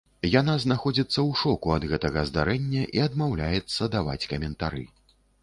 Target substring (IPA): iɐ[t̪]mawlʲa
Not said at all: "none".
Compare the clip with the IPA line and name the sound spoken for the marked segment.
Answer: d̪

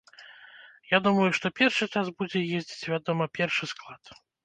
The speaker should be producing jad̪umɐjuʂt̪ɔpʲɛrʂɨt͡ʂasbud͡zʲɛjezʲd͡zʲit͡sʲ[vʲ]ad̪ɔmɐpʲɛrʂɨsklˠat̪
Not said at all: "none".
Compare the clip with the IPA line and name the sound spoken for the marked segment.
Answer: vʲ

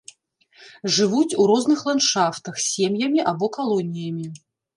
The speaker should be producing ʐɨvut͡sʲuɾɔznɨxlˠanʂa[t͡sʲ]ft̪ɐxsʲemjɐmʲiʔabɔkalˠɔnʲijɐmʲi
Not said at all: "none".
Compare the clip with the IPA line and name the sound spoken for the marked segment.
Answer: none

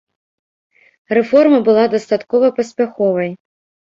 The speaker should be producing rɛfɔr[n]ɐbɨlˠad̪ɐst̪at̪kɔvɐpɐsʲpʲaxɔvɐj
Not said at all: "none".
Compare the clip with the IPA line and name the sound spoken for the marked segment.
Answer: m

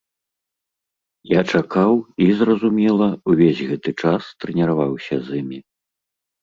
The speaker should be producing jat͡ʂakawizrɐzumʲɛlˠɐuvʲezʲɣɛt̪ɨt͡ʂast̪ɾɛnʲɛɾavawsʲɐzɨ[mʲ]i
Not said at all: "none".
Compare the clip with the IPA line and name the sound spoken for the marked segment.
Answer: mʲ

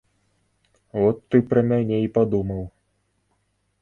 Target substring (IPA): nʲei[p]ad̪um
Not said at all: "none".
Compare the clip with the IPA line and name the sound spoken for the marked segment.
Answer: p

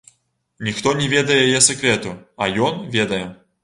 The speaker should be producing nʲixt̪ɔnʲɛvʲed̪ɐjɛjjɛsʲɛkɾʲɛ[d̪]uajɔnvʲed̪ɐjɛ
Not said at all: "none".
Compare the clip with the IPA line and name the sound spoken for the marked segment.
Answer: t̪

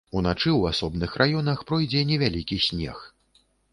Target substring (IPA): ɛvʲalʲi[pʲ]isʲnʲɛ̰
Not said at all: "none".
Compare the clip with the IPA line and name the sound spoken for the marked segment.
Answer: kʲ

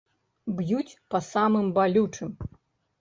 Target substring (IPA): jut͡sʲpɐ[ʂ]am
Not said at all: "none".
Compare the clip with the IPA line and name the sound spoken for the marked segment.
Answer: s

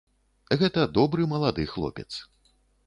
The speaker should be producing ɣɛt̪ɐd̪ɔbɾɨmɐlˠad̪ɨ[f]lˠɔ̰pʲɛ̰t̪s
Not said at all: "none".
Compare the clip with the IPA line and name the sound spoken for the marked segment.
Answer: x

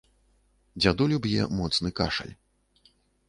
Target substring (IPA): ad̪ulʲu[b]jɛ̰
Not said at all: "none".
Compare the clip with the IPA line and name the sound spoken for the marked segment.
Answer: b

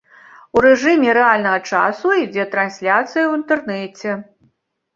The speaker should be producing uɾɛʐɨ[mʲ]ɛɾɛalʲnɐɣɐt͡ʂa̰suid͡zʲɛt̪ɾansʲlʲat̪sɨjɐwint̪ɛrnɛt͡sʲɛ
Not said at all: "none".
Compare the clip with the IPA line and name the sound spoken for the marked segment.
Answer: mʲ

